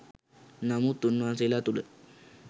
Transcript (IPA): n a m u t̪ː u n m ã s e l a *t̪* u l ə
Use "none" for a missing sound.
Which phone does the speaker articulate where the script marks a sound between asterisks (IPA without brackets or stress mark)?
t̪